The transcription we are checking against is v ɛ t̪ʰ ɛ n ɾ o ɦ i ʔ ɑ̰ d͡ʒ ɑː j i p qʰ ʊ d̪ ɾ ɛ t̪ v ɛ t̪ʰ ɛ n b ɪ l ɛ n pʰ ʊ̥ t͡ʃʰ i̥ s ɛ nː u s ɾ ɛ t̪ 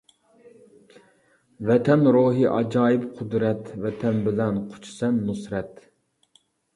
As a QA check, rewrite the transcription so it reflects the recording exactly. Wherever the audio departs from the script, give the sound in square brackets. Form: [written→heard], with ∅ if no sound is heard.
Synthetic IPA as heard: v ɛ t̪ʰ ɛ n ɾ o ɦ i ʔ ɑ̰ d͡ʒ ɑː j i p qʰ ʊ d̪ ɾ ɛ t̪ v ɛ t̪ʰ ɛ n b ɪ l ɛ n [pʰ→qʰ] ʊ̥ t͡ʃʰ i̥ s ɛ nː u s ɾ ɛ t̪